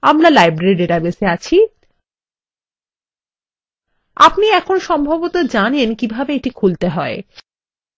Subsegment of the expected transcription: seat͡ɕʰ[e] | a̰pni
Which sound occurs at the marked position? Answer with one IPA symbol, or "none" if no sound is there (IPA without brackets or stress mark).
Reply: i